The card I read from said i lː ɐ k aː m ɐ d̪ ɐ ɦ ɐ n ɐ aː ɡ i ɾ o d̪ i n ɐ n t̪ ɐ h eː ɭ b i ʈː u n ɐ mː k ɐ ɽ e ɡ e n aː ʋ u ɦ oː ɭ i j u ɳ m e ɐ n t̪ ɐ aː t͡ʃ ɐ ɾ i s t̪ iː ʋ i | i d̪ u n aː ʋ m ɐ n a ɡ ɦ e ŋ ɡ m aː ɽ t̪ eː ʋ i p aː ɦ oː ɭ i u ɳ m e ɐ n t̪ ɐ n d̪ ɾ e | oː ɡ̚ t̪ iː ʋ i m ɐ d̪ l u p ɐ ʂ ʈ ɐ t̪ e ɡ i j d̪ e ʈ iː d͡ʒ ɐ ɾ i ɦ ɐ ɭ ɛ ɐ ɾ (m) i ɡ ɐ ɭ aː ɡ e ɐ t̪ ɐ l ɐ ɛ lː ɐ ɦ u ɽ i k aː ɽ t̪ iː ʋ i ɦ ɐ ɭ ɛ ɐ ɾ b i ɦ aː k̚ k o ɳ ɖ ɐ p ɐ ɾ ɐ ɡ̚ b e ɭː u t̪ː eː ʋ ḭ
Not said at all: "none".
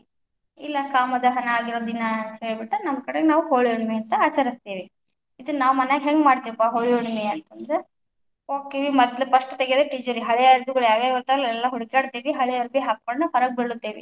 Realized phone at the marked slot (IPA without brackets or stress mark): b